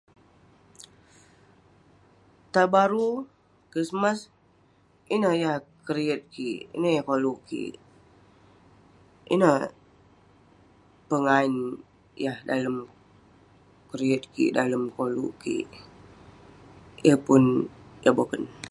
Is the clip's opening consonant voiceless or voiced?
voiceless